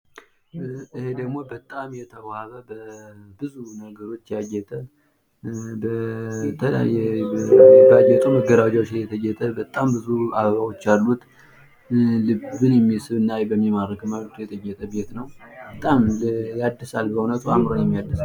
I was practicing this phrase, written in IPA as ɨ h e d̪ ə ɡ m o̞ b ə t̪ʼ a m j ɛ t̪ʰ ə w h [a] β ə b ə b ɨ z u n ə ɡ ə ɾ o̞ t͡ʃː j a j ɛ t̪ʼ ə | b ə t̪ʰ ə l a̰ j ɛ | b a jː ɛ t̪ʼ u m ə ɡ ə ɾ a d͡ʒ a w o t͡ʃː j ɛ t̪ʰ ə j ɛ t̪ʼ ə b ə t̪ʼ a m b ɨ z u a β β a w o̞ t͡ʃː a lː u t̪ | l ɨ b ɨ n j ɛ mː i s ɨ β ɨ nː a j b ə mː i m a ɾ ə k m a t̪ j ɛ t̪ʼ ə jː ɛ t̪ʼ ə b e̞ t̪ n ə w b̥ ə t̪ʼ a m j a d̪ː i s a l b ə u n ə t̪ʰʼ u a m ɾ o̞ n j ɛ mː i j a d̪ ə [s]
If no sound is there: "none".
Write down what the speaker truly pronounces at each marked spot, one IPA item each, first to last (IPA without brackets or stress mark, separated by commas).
a, s